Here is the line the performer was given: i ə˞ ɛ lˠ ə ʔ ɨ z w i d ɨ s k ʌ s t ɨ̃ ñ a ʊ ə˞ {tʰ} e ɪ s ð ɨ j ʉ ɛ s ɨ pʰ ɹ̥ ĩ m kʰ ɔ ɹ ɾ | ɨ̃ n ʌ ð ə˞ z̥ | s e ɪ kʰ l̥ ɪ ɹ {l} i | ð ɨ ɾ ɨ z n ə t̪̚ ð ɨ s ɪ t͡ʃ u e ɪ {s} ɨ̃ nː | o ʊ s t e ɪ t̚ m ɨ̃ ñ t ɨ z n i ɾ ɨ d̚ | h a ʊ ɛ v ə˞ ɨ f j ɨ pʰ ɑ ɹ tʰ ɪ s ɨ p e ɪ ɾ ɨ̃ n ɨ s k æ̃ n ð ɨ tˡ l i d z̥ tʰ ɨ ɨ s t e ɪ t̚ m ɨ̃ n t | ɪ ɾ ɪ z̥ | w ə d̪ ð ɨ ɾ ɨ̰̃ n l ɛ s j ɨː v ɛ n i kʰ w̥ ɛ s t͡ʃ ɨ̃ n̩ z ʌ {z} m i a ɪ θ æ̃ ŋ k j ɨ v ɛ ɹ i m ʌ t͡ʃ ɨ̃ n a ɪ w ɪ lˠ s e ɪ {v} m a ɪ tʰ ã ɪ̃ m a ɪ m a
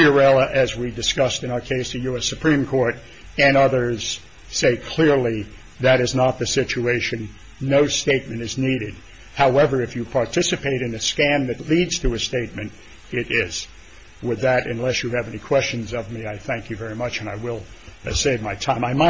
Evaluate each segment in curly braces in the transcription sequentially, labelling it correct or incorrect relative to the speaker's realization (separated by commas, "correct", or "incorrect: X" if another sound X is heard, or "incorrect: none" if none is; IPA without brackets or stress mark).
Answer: incorrect: kʰ, correct, incorrect: ʃ, incorrect: v, correct